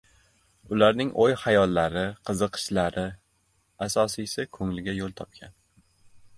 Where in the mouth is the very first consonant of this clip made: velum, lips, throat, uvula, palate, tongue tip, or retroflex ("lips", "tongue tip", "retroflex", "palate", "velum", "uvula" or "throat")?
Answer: tongue tip